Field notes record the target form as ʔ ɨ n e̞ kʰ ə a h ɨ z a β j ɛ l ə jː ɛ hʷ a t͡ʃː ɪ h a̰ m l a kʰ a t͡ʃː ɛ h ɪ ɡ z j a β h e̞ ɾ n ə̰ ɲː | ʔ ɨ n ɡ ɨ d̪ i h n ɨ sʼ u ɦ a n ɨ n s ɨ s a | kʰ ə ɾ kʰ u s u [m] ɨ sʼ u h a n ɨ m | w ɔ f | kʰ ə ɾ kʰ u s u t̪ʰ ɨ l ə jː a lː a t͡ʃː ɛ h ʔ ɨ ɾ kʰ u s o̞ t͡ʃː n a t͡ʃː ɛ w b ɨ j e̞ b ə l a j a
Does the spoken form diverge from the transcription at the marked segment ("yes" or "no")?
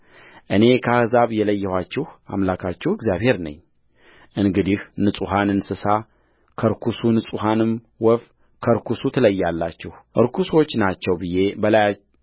yes